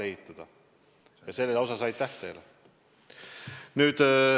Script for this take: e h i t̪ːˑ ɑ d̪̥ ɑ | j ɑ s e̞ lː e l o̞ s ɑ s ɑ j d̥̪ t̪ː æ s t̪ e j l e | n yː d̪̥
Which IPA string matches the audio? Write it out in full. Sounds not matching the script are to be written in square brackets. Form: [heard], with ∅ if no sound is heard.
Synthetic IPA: e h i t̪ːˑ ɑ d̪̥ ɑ | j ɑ s e̞ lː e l o̞ s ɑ s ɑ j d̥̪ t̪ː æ [h] t̪ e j l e | n yː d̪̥